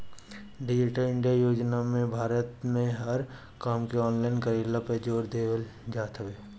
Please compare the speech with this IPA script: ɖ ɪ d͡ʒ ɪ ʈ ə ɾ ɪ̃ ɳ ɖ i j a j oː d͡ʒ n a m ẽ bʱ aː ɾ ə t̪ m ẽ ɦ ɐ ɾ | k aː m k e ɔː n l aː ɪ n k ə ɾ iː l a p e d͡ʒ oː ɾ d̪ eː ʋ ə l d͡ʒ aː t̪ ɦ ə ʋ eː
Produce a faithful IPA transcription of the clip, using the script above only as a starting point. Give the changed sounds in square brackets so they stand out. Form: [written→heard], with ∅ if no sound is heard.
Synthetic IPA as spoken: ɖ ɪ d͡ʒ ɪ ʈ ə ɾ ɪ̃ ɳ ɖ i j a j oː d͡ʒ n a m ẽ bʱ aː ɾ ə t̪ m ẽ ɦ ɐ ɾ | k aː m k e ɔː n l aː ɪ n k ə ɾ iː l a p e d͡ʒ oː ɾ d̪ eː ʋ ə l d͡ʒ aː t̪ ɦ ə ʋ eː